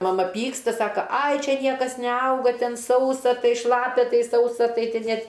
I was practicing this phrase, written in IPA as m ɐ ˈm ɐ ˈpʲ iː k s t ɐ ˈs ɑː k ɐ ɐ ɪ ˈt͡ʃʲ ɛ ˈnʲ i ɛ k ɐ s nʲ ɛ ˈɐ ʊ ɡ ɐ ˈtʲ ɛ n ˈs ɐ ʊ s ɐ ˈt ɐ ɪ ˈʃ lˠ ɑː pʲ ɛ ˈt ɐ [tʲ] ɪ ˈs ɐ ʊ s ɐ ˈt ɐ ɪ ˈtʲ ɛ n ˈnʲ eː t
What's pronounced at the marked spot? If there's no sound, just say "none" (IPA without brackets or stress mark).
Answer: none